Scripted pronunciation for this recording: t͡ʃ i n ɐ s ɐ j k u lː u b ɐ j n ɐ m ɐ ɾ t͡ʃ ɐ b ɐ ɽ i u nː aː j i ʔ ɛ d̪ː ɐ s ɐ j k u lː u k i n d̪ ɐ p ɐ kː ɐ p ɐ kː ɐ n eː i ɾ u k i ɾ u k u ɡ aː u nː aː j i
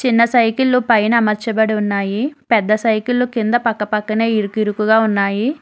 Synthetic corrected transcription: t͡ʃ i nː ɐ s ɐ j k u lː u p ɐ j n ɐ m ɐ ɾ t͡ʃ ɐ b ɐ ɽ i u nː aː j i p ɛ d̪ː ɐ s ɐ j k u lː u k i n d̪ ɐ p ɐ kː ɐ p ɐ kː ɐ n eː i ɾ u k i ɾ u k u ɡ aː u nː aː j i